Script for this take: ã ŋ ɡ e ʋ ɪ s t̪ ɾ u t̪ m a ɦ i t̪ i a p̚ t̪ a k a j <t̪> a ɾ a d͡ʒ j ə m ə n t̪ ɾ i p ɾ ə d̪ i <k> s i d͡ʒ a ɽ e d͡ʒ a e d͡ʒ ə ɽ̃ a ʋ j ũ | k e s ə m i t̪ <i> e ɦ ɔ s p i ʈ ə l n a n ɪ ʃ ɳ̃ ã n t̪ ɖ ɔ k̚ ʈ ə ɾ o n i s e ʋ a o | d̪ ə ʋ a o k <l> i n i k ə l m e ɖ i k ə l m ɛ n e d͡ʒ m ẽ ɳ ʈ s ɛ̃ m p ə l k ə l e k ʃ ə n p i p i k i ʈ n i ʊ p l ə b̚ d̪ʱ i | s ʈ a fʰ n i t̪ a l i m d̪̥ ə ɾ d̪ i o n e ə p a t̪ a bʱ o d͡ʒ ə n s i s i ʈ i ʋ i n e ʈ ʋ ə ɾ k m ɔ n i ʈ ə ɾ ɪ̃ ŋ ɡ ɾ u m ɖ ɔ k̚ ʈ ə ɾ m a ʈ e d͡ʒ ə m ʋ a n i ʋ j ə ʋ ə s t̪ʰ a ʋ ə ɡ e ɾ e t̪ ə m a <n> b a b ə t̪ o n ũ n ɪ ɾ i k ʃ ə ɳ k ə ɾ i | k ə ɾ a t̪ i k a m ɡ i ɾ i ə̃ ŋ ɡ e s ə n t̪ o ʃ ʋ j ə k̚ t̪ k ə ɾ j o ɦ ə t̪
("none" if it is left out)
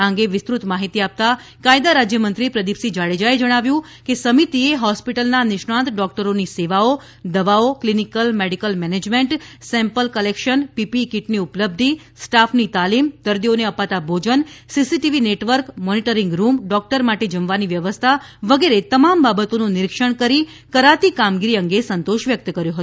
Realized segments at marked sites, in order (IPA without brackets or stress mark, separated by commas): d̪, p, i, l, m